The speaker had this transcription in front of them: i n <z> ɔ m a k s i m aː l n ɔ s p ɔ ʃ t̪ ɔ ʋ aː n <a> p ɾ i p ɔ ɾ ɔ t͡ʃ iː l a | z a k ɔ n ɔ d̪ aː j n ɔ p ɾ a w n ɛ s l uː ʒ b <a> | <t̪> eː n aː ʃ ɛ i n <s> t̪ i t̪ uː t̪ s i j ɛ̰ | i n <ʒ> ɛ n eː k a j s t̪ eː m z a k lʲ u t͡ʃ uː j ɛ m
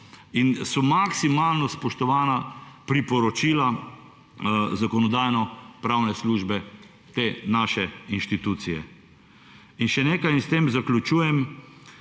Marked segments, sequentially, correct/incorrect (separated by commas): incorrect, correct, incorrect, correct, incorrect, incorrect